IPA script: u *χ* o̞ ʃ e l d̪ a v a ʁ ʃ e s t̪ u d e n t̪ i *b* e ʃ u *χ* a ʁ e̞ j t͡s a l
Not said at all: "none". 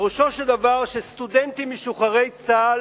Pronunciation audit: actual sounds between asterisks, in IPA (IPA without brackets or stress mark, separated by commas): ʃ, m, χ